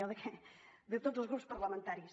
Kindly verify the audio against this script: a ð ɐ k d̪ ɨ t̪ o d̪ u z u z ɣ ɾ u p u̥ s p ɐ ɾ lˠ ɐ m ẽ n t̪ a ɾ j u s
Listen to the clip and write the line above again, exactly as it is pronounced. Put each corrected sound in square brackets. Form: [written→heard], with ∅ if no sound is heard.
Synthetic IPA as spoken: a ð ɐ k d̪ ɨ t̪ o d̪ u z u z ɣ ɾ u p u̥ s p ɐ ɾ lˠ ɐ m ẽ n t̪ a ɾ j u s